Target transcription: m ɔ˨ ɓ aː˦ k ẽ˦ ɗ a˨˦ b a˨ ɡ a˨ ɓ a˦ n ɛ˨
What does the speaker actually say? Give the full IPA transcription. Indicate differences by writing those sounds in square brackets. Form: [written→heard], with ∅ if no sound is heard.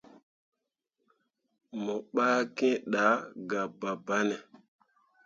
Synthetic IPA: m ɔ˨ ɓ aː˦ k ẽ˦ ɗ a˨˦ [b→ɡ] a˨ [ɡ→b] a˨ [ɓ→b] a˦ n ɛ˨